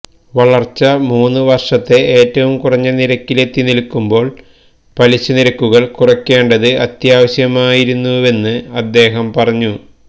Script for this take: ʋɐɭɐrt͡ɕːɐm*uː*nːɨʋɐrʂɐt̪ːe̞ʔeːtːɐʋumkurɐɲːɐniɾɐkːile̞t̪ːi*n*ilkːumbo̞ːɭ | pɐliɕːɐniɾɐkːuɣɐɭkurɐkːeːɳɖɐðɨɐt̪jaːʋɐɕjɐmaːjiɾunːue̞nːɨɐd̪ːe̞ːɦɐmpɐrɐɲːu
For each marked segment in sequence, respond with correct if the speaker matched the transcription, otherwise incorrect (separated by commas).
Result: correct, correct